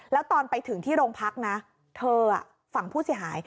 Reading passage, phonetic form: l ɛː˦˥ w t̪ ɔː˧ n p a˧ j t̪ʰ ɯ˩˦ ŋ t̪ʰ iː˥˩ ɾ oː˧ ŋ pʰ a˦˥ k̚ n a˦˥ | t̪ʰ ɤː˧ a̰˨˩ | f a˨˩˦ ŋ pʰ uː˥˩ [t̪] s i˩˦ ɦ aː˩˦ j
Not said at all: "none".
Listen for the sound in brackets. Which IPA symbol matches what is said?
none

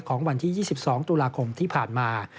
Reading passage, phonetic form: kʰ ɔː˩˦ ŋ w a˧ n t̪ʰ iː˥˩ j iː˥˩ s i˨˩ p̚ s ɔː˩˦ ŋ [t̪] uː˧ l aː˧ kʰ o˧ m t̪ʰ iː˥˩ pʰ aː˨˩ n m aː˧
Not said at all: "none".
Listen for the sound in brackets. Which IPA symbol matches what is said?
t̪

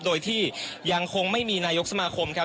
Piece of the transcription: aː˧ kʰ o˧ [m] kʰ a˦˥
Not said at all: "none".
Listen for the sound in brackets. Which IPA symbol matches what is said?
m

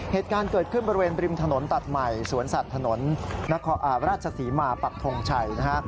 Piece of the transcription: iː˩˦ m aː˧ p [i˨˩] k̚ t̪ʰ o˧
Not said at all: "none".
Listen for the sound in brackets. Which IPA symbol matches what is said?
a˨˩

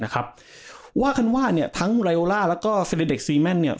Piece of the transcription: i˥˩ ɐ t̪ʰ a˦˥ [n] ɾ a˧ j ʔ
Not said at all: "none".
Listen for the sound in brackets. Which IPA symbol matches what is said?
ŋ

